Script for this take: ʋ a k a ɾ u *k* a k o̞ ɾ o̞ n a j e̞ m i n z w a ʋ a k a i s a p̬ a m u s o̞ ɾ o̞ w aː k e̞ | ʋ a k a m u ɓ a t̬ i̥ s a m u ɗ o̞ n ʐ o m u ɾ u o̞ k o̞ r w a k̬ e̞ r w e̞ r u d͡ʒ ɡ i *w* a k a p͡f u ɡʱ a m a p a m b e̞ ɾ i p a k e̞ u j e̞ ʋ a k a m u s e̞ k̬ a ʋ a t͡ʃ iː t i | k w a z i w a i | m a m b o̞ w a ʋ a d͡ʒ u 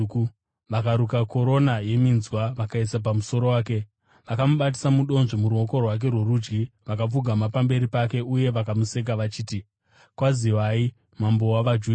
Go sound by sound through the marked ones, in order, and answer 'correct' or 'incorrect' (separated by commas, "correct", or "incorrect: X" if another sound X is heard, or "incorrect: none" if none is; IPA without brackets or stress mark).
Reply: correct, incorrect: ʋ